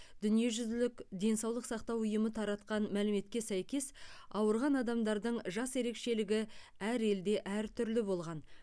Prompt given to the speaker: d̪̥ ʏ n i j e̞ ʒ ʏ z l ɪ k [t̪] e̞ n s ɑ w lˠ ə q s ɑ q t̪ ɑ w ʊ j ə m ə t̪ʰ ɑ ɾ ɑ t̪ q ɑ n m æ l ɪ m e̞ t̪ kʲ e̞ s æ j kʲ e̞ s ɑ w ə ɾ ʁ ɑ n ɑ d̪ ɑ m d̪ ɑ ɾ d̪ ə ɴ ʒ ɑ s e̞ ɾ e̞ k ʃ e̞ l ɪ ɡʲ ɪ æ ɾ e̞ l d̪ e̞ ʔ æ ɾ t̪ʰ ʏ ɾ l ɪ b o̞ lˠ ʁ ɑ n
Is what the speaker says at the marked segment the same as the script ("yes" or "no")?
no